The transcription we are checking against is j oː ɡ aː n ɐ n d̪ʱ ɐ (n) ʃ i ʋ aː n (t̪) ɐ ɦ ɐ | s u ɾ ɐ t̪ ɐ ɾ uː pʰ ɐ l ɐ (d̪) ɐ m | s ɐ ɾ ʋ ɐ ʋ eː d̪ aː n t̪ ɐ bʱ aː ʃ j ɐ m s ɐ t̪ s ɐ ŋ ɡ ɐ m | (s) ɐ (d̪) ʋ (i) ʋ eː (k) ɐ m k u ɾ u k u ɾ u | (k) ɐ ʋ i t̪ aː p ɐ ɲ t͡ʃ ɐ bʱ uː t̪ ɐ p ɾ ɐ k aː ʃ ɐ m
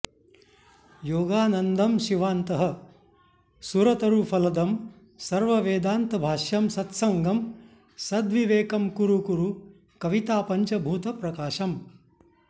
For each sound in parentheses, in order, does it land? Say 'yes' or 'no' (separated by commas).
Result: no, yes, yes, yes, yes, yes, yes, yes